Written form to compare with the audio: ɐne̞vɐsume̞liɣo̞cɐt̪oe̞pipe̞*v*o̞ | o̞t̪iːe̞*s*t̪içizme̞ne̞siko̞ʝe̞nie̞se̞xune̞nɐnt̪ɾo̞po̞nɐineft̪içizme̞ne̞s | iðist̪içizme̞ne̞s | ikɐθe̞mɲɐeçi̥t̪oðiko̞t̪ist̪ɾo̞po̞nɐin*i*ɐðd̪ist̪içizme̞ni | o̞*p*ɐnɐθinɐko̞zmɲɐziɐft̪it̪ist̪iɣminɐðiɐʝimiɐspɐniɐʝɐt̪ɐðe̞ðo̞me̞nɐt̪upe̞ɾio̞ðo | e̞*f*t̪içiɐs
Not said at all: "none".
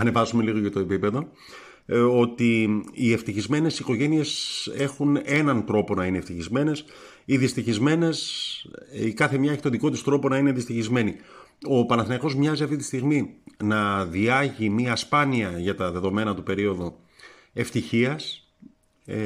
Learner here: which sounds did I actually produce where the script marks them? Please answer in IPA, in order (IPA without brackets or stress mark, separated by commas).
ð, f, e, p, f